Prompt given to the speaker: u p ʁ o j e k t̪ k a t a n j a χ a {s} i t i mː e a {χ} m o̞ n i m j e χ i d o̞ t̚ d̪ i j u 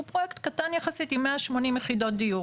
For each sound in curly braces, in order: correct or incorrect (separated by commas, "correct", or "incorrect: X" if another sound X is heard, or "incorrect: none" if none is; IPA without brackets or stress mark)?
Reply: correct, incorrect: ʃ